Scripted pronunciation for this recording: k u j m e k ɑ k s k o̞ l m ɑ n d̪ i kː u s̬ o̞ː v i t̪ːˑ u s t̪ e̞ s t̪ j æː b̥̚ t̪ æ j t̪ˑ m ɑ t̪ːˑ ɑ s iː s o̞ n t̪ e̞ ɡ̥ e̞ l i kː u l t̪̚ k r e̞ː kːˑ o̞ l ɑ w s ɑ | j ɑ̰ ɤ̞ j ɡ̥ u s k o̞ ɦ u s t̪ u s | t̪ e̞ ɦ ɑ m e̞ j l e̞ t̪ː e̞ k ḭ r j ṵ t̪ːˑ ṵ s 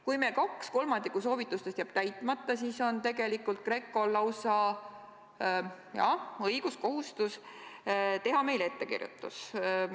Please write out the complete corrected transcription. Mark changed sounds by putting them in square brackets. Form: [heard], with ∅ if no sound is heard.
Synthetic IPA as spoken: k u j m e k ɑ k s k o̞ l m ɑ n d̪ i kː u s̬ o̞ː v i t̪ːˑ u s t̪ e̞ s t̪ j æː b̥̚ t̪ æ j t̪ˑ m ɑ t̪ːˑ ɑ s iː s o̞ n t̪ e̞ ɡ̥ e̞ l i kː u l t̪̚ k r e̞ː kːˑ o̞ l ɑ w s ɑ | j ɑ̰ ɤ̞ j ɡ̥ u s k o̞ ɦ u s t̪ u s | t̪ e̞ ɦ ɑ m e̞ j l e̞ t̪ː e̞ k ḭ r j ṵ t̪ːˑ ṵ s